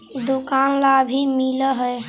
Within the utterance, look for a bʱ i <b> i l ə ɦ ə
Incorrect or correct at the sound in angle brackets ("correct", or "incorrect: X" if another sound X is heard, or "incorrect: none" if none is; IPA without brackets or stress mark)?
incorrect: m